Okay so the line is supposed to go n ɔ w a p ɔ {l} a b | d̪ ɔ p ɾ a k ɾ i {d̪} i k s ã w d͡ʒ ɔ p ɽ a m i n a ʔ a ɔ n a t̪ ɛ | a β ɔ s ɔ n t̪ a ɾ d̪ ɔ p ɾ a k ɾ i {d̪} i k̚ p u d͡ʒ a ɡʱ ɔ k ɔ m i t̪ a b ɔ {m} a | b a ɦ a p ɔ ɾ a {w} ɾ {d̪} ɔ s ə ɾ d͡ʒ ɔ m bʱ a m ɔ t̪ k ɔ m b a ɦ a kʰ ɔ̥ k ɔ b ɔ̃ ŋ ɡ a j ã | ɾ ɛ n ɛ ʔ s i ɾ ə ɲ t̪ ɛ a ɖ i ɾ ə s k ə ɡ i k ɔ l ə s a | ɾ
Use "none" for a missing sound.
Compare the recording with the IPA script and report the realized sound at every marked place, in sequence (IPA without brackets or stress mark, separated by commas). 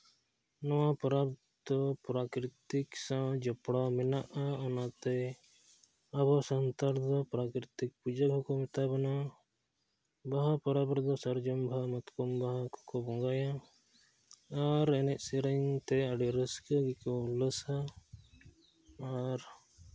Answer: ɾ, t̪, t̪, n, b, d̪